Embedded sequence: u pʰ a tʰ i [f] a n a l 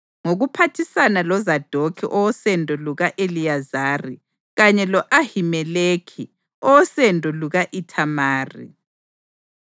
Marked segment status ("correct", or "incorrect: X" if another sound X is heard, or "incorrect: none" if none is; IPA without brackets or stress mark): incorrect: s